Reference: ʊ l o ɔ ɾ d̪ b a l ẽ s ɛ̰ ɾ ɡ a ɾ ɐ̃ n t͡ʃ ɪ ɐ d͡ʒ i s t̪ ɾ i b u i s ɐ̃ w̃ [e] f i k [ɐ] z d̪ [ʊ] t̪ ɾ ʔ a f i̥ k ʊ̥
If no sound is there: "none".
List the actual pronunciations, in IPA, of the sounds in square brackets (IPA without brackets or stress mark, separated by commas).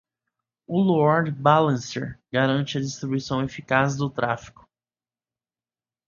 e, a, ʊ